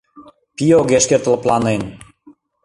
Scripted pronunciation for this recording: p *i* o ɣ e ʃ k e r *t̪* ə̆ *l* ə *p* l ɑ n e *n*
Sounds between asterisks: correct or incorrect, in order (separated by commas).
correct, correct, correct, correct, correct